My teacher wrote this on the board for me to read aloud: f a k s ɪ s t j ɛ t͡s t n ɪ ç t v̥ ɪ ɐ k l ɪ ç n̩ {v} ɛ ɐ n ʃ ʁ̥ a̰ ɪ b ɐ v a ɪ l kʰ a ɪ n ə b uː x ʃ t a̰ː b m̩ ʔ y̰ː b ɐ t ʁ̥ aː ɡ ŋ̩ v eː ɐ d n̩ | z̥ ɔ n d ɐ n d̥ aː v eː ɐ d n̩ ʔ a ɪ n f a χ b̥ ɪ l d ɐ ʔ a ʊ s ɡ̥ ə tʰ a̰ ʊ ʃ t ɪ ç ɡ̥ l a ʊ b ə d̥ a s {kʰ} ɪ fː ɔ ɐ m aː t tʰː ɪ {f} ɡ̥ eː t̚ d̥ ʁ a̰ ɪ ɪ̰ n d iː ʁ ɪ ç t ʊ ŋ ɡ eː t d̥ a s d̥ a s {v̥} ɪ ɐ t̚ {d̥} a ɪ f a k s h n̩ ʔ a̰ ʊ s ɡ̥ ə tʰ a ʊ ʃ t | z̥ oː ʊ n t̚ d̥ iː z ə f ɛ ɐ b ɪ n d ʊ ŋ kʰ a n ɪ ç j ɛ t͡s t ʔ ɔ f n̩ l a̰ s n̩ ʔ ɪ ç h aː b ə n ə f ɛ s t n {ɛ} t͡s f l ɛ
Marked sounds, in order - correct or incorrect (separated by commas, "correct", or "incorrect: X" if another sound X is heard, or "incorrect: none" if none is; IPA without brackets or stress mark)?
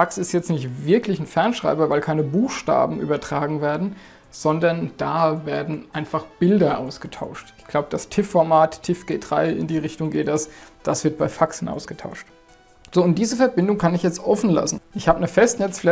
incorrect: f, incorrect: tʰ, correct, correct, incorrect: b̥, correct